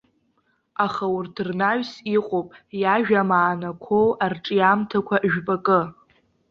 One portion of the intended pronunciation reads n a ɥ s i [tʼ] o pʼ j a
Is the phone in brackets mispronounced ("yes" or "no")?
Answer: yes